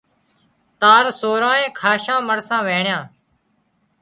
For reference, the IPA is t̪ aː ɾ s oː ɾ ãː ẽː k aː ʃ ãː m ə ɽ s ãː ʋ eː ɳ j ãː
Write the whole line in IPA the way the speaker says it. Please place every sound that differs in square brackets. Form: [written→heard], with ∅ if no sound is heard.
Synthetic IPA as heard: t̪ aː ɾ s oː ɾ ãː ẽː [k→kʰ] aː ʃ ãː m ə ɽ s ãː ʋ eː ɳ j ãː